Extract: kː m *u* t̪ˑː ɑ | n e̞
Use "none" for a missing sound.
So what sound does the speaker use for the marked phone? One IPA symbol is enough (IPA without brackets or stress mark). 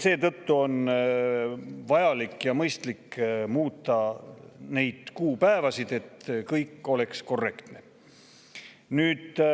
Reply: uː